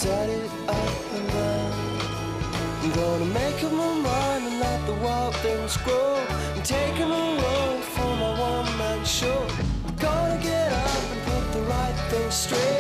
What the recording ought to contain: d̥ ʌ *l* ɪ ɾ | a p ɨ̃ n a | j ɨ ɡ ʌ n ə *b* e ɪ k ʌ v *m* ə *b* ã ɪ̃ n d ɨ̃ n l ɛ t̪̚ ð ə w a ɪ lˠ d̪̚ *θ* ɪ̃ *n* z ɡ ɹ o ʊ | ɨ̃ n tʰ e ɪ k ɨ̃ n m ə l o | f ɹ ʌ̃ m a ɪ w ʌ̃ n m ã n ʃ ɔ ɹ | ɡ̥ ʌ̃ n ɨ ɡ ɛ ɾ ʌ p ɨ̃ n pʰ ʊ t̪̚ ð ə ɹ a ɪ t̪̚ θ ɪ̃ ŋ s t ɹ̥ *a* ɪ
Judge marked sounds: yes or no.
no, no, yes, no, yes, no, no

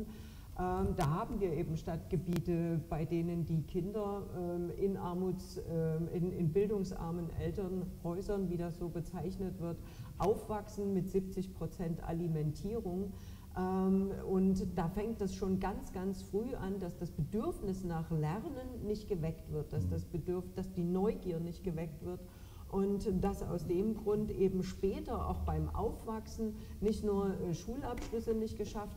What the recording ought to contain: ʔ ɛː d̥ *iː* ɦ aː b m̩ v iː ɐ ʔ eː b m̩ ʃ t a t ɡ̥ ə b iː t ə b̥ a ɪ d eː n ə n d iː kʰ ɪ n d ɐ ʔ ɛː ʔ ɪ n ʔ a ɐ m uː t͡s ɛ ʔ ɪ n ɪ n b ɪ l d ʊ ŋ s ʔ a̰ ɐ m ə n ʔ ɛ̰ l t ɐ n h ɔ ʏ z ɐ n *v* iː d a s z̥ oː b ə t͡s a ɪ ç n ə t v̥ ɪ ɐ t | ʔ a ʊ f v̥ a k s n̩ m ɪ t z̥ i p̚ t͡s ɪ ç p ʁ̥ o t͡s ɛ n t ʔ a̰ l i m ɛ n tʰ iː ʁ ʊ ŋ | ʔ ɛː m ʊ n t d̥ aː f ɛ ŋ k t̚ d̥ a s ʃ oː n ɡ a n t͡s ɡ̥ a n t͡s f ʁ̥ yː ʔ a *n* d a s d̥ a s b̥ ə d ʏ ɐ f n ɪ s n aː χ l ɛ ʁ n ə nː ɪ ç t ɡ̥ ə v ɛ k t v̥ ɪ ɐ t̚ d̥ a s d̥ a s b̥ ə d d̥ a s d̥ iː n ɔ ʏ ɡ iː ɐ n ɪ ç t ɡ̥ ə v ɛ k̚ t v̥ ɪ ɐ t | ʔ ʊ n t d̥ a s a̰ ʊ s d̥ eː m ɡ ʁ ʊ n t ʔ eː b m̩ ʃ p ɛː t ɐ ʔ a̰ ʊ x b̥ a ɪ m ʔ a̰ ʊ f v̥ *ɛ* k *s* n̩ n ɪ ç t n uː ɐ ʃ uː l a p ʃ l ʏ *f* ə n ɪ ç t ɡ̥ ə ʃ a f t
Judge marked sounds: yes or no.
no, yes, yes, no, yes, no

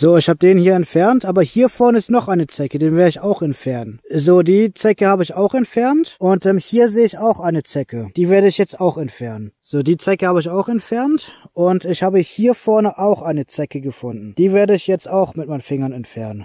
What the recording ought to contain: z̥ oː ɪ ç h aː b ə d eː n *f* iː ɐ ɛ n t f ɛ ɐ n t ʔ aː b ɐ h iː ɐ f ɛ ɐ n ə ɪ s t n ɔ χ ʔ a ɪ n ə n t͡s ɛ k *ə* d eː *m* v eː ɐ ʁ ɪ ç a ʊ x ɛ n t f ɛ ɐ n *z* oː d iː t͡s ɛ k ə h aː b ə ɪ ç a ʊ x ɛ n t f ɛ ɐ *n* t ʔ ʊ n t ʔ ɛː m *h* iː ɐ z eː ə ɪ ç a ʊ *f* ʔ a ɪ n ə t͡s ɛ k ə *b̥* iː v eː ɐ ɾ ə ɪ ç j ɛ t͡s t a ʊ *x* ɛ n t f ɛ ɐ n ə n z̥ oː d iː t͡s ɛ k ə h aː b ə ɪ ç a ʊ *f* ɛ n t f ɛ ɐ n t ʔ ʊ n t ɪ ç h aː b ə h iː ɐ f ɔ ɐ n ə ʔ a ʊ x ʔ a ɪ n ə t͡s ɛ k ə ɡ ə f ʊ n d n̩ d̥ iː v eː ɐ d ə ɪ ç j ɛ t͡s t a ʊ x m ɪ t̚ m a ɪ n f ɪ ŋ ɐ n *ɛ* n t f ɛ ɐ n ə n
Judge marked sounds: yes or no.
no, yes, no, yes, yes, yes, no, no, yes, no, yes

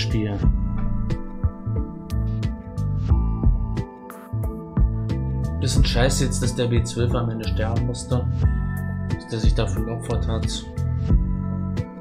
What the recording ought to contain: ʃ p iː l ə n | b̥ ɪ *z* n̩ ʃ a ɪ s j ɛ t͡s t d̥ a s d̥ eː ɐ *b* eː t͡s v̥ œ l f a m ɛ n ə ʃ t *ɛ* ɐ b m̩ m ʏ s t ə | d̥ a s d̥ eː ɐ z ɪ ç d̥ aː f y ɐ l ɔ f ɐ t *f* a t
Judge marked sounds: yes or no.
no, yes, yes, no

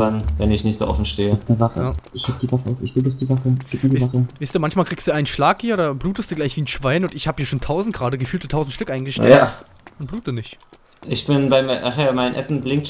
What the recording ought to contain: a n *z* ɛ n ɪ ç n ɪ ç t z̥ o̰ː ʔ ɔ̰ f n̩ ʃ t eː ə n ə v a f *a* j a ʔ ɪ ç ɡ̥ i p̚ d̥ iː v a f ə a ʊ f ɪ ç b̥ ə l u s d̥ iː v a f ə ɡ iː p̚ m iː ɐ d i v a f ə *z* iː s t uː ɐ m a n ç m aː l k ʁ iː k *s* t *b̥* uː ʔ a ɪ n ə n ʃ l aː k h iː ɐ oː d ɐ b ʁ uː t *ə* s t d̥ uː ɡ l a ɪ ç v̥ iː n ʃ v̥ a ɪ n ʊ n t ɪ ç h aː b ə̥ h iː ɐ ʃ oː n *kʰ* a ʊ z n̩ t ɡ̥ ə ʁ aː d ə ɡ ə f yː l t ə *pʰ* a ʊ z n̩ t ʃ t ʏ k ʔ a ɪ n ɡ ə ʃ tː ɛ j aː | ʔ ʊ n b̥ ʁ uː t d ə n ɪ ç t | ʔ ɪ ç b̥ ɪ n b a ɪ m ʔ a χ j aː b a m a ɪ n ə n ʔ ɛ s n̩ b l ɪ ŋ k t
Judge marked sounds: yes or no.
no, no, no, yes, no, yes, no, no

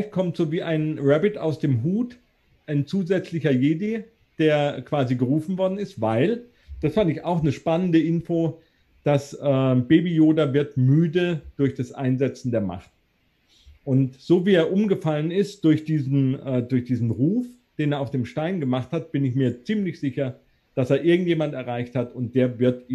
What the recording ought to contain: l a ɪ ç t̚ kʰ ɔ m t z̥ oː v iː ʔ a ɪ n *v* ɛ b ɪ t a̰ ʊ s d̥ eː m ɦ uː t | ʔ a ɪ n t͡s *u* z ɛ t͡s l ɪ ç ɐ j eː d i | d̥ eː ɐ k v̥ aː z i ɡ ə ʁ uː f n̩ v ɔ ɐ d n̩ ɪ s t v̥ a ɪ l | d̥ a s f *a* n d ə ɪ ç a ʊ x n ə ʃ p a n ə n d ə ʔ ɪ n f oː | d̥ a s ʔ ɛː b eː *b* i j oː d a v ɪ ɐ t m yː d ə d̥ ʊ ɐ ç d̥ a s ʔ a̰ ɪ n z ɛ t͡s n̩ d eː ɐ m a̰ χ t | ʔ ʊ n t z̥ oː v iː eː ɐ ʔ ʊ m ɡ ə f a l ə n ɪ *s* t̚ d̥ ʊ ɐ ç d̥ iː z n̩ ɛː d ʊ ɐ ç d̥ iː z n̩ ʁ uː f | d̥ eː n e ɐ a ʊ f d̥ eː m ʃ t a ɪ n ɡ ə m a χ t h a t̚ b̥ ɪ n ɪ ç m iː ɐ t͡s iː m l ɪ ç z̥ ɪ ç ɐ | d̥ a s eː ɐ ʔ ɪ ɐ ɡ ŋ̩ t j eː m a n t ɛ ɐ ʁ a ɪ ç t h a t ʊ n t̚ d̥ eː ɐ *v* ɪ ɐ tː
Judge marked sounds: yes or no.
no, no, yes, yes, yes, yes

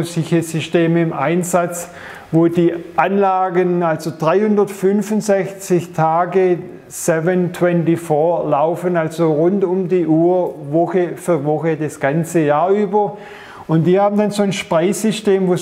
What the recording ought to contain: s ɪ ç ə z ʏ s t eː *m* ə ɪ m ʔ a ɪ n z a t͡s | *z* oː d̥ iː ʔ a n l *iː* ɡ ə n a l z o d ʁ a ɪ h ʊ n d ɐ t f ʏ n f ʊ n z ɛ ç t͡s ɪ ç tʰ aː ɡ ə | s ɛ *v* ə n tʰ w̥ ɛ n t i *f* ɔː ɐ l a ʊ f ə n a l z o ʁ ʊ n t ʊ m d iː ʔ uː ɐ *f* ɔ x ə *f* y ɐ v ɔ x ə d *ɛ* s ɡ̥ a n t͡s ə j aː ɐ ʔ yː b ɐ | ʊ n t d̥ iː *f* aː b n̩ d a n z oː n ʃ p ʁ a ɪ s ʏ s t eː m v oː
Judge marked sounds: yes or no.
yes, no, no, yes, yes, no, yes, no, no

